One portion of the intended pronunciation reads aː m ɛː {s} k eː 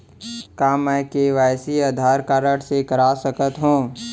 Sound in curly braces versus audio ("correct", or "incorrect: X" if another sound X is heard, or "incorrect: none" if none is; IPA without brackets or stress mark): incorrect: none